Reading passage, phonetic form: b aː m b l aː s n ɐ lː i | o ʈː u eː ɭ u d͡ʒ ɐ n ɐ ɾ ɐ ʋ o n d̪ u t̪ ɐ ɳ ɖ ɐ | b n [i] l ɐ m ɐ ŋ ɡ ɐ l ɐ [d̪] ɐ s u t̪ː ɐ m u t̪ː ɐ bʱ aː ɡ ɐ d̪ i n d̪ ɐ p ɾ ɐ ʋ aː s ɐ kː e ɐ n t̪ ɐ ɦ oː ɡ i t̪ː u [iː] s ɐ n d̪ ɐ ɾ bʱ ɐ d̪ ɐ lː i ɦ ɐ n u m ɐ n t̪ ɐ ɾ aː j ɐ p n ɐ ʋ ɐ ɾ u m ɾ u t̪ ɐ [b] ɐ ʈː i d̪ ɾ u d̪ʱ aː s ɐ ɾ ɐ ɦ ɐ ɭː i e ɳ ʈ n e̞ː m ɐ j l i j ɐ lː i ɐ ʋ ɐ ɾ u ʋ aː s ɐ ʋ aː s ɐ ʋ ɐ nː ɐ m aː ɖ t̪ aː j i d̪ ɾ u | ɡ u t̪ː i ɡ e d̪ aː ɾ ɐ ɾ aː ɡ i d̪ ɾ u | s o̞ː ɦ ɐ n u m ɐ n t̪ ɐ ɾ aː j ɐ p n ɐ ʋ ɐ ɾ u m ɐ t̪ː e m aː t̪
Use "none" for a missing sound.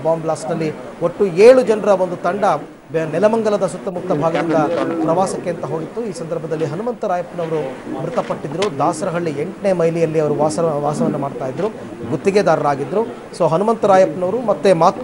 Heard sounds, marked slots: ɛ, d̪, iː, p

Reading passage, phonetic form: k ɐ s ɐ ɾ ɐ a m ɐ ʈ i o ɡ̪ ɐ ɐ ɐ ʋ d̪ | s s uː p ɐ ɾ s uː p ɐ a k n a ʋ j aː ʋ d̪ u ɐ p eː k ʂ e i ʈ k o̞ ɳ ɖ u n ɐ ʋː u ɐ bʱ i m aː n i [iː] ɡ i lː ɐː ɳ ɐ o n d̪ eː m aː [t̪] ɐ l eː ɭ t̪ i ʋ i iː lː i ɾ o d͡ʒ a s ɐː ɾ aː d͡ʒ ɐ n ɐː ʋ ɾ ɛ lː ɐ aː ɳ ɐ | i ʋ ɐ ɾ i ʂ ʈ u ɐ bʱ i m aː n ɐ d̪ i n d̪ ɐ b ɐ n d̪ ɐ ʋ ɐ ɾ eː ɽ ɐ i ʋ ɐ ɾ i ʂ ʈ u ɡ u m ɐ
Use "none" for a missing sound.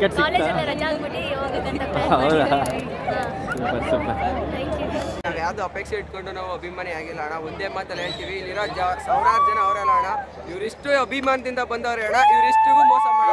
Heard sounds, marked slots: aː, t̪

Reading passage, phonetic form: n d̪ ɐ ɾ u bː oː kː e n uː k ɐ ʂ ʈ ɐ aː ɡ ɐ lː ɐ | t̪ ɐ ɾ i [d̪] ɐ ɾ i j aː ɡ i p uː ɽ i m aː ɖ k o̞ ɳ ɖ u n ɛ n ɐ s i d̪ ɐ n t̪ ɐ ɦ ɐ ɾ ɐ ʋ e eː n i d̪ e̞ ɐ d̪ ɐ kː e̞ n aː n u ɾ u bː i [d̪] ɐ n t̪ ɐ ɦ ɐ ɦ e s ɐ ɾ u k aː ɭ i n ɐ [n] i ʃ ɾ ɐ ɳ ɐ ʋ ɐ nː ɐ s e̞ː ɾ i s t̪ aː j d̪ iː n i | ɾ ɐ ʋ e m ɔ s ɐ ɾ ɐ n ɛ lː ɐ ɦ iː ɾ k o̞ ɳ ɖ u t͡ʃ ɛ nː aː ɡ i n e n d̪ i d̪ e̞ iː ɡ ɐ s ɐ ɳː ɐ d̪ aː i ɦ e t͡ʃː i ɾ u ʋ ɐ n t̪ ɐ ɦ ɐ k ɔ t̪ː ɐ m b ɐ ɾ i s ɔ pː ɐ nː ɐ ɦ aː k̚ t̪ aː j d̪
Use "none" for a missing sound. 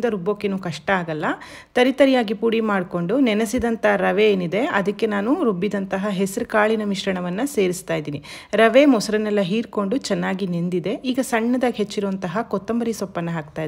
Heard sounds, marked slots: t̪, d̪, m

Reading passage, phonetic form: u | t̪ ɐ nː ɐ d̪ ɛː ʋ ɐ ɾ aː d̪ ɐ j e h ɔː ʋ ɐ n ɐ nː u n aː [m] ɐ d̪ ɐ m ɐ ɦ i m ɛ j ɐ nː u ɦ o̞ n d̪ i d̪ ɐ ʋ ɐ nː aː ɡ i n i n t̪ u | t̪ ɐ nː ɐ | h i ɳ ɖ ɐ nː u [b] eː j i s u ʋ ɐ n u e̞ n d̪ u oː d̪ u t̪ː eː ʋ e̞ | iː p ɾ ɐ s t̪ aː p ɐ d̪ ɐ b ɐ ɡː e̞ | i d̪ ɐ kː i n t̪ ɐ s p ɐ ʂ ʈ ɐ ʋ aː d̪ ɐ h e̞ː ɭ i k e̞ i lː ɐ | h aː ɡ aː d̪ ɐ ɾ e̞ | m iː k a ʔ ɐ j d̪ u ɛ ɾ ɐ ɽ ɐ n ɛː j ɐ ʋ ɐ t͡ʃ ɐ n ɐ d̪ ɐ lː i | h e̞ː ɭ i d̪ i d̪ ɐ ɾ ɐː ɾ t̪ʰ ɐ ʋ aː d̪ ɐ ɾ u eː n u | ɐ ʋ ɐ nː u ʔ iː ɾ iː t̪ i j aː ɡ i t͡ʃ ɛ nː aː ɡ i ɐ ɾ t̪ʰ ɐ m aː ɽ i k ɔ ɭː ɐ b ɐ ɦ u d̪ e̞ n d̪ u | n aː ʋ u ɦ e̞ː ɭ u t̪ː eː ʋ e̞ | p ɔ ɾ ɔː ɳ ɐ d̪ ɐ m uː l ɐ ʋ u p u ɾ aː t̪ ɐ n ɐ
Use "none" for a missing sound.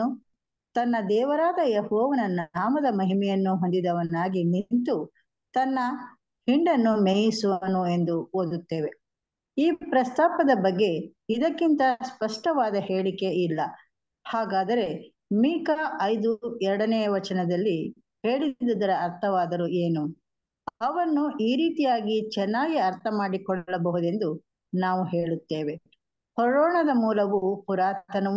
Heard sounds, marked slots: m, m

